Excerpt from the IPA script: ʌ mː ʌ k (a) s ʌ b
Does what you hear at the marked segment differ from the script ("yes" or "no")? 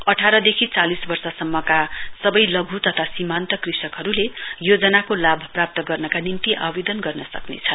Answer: no